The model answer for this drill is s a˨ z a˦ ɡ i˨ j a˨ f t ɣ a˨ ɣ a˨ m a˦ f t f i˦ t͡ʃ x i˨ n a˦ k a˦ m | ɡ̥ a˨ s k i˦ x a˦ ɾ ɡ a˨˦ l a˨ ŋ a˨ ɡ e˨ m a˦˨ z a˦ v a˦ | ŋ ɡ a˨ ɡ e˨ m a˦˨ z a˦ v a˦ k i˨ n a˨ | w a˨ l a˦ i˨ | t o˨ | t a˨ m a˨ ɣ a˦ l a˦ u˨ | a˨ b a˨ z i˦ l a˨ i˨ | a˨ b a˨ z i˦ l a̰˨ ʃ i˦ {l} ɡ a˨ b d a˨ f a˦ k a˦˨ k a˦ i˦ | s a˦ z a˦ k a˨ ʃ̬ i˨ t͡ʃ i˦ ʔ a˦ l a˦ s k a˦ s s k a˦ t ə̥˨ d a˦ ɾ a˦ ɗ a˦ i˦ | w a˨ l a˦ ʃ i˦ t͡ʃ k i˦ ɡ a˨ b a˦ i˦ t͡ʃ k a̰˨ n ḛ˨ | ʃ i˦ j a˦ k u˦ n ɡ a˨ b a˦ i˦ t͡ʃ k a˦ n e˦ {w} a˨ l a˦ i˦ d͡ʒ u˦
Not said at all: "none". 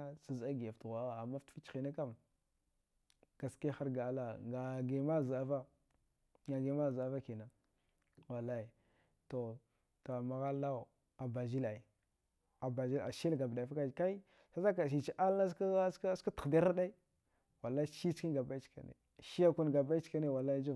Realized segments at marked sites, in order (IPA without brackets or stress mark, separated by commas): l, w